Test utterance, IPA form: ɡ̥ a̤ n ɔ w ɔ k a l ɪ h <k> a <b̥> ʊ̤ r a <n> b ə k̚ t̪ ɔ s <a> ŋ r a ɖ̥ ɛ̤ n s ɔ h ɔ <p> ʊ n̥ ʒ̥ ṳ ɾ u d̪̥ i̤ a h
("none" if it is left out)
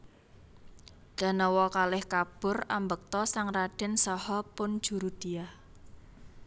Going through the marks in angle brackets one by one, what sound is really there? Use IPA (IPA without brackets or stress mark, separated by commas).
k, b̥, m, a, p